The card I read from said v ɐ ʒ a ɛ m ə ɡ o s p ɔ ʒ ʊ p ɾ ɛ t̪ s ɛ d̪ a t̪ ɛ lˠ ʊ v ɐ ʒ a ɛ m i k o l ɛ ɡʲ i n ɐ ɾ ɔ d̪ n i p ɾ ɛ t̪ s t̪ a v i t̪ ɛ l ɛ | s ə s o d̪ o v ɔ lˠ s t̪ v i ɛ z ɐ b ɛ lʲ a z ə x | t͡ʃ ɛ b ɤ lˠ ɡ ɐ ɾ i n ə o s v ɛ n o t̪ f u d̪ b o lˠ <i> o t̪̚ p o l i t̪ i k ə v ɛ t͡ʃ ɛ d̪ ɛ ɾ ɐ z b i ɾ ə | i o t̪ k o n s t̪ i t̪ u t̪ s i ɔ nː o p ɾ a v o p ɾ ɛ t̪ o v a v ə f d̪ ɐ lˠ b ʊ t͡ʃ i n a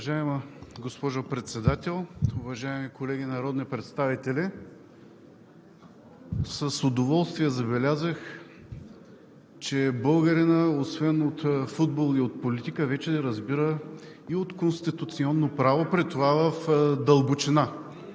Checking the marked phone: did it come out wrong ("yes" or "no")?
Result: no